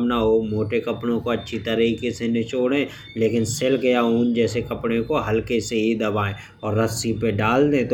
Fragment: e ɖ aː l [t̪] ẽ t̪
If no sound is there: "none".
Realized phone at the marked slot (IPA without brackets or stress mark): d̪